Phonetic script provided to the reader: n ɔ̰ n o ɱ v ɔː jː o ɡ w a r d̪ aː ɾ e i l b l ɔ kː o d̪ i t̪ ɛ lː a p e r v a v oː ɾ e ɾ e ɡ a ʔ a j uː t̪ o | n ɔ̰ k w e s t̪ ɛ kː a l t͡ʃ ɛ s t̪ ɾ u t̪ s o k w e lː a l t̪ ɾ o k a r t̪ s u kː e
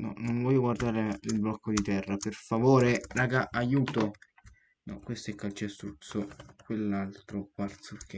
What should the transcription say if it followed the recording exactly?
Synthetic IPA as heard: n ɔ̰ n o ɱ v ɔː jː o ɡ w a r d̪ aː ɾ e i l b l ɔ kː o d̪ i t̪ ɛ rː a p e r f a v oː ɾ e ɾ a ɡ a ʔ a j uː t̪ o | n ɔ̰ k w e s t̪ ɛ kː a l t͡ʃ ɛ s t̪ ɾ u t̪ s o k w e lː a l t̪ ɾ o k a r t̪ s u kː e